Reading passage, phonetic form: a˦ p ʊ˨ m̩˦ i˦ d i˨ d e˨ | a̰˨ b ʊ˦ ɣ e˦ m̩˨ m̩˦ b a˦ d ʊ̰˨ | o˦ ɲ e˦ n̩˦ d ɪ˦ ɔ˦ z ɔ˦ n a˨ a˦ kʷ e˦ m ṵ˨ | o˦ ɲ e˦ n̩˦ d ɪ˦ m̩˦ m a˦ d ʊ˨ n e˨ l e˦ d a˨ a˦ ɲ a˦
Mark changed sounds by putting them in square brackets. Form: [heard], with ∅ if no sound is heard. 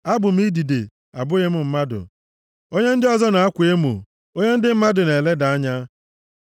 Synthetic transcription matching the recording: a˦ [b] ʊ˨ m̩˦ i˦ d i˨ d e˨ | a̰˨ b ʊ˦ ɣ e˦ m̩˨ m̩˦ [m] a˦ d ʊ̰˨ | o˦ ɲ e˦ n̩˦ d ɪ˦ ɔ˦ z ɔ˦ n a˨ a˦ kʷ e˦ m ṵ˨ | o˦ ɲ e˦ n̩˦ d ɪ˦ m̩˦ m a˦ d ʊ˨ n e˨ l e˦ d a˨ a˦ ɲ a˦

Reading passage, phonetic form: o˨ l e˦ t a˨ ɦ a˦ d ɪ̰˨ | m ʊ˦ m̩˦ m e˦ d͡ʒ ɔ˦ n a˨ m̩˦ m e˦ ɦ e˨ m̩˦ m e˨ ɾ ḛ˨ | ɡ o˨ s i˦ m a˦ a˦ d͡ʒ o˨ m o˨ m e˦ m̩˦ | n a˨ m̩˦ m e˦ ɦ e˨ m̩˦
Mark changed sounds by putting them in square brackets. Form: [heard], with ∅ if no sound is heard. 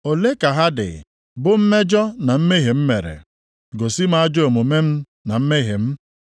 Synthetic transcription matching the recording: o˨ l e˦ [k] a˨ ɦ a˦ d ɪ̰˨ | [b] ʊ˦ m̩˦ m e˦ d͡ʒ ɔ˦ n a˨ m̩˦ m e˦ ɦ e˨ m̩˦ m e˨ ɾ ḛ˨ | ɡ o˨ s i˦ m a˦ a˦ d͡ʒ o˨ m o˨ m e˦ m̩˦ | n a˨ m̩˦ m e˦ ɦ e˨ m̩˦

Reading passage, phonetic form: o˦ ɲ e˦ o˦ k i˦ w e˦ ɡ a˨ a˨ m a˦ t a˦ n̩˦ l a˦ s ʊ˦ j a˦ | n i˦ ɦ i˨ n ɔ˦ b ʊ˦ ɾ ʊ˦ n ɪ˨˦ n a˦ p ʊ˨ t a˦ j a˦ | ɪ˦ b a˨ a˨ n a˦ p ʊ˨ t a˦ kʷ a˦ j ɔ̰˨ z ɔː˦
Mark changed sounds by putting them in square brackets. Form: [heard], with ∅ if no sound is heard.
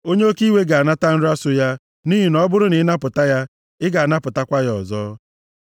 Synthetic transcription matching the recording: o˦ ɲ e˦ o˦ k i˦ w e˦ ɡ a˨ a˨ [n] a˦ t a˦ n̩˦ [ɾ] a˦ s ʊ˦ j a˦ | n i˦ ɦ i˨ n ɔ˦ b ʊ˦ ɾ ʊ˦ n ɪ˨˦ n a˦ p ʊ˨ t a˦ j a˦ | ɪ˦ [ɡ] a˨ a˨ n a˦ p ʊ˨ t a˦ kʷ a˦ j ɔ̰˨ z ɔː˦

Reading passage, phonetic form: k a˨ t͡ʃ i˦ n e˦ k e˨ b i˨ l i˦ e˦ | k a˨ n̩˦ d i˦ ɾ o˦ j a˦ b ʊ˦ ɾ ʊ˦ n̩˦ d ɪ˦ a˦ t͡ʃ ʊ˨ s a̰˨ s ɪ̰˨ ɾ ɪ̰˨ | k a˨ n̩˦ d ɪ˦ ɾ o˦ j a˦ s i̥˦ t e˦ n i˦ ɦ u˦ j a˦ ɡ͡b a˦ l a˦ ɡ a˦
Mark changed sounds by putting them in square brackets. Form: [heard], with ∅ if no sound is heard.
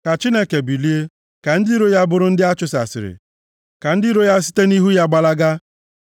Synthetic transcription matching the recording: k a˨ t͡ʃ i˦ n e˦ k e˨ b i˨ l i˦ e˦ | k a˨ n̩˦ d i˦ ɾ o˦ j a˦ b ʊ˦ ɾ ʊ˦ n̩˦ d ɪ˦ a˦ t͡ʃ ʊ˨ s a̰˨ s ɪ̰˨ ɾ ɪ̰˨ | k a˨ n̩˦ d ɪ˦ ɾ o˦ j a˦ s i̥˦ t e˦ n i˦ ɦ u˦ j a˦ ɡ͡b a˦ l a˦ ɡ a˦

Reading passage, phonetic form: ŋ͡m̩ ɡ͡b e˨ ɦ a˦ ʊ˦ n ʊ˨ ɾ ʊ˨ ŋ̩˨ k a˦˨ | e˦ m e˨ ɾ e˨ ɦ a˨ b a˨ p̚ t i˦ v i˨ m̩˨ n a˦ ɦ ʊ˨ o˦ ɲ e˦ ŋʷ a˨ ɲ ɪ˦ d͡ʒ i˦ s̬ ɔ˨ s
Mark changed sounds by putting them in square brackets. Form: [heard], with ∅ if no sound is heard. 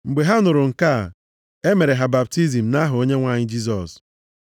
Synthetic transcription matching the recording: ŋ͡m̩ ɡ͡b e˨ ɦ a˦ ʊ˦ n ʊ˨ ɾ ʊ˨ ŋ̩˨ k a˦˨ | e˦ m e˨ ɾ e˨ ɦ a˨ b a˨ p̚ t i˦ [z] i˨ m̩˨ n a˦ ɦ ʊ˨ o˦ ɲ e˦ ŋʷ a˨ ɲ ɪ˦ d͡ʒ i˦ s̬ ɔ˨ s

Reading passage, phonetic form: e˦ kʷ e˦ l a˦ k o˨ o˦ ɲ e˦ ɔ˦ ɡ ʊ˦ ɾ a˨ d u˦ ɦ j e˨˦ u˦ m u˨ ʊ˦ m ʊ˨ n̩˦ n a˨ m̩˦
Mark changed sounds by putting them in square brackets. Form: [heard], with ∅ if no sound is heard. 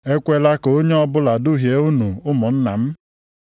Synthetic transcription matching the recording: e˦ kʷ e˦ l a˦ k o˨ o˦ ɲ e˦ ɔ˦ [b] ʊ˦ [l] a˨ d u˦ ɦ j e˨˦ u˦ [n] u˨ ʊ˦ m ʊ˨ n̩˦ n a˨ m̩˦

